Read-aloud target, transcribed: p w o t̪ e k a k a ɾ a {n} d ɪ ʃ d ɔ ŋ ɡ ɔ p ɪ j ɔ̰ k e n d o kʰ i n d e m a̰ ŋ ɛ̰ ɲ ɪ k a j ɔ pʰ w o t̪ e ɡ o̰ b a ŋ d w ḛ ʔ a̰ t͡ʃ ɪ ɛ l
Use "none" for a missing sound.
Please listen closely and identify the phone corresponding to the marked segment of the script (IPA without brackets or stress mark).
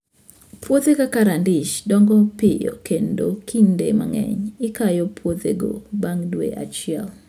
n